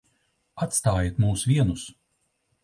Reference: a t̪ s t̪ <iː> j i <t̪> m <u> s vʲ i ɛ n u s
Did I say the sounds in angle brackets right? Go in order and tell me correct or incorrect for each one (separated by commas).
incorrect, correct, incorrect